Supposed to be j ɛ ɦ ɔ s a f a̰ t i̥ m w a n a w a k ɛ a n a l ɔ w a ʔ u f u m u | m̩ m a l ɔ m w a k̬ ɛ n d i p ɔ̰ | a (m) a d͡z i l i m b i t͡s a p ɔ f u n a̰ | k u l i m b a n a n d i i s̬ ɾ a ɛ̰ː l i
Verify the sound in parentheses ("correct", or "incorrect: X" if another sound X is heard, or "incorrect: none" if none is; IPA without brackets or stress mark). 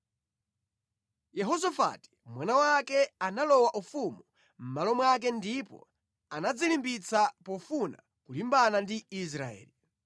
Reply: incorrect: n